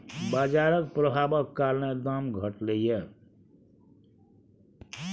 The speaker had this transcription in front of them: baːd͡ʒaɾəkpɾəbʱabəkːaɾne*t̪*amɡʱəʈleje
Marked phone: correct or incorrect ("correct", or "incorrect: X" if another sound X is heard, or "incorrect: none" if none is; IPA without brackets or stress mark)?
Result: incorrect: d̪